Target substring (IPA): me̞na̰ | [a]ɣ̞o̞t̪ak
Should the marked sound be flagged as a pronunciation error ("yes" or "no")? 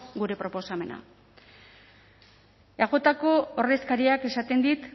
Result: no